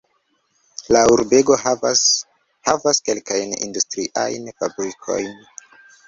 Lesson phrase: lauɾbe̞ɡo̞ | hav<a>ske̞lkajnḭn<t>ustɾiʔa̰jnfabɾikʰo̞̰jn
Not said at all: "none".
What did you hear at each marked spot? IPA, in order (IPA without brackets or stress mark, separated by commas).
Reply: a, d